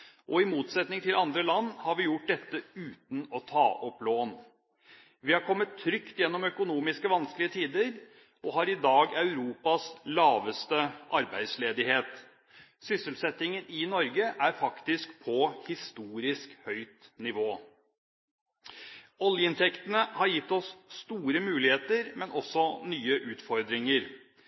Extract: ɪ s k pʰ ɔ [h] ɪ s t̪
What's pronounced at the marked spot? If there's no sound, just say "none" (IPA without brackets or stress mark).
h